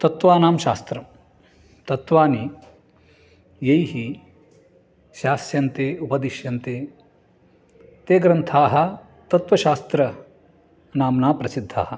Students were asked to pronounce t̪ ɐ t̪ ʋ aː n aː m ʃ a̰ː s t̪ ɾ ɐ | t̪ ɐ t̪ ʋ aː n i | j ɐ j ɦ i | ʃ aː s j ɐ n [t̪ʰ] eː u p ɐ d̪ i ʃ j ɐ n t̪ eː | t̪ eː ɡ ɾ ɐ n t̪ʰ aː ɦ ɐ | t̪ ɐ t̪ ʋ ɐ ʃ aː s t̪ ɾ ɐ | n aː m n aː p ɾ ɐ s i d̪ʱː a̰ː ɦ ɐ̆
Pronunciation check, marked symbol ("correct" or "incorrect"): incorrect